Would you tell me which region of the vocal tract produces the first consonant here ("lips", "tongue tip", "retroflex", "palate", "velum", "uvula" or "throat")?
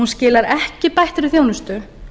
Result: tongue tip